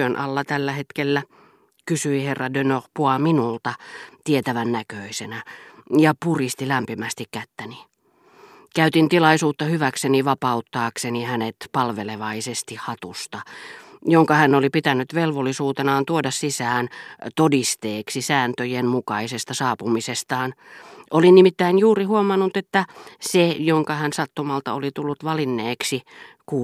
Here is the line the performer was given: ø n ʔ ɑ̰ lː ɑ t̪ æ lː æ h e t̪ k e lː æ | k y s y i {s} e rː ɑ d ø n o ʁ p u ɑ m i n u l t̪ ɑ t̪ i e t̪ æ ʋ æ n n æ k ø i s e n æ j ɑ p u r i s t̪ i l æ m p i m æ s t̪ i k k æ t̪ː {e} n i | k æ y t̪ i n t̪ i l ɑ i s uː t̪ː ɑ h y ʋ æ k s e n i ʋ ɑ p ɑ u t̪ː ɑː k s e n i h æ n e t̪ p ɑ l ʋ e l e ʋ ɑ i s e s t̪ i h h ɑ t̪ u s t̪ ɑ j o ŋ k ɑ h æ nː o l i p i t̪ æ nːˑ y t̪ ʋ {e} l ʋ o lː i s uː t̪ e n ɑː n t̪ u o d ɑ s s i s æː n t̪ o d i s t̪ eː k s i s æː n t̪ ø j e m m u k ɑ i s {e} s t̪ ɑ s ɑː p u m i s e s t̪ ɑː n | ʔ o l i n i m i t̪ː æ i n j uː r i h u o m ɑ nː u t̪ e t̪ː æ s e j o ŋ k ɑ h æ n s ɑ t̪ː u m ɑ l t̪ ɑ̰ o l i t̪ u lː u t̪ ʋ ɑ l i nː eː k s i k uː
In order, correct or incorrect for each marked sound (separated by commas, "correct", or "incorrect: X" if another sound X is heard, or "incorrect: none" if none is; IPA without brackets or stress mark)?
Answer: incorrect: h, incorrect: æ, correct, correct